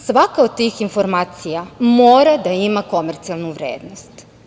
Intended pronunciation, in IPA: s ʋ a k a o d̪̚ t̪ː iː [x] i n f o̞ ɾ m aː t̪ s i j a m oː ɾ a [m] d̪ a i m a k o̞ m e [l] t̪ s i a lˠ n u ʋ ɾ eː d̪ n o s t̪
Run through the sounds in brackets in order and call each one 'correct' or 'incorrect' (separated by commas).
correct, incorrect, incorrect